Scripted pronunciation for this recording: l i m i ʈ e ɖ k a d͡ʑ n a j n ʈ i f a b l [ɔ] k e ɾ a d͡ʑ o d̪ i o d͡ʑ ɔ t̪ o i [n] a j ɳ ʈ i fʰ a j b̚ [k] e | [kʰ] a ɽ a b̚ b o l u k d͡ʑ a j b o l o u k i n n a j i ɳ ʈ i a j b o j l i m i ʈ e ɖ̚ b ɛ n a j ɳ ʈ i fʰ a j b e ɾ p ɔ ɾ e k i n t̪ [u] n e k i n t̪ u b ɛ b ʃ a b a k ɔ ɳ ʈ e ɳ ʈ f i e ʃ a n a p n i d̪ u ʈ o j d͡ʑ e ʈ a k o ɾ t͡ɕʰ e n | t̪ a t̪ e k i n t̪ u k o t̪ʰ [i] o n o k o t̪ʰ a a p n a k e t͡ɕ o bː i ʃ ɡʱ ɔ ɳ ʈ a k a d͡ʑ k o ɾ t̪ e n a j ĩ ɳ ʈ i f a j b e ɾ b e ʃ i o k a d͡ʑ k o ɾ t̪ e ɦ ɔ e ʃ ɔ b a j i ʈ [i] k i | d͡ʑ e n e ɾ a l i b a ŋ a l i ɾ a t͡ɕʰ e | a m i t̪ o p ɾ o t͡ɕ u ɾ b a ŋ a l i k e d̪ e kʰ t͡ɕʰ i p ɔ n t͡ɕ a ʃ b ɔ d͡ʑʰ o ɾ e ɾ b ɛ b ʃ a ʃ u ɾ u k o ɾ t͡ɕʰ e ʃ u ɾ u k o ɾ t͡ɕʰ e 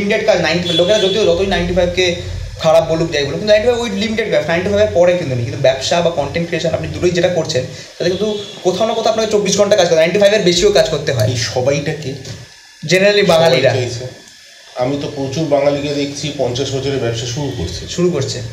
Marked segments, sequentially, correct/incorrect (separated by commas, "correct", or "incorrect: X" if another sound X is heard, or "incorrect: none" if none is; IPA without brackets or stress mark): incorrect: o, correct, correct, correct, correct, incorrect: a, incorrect: a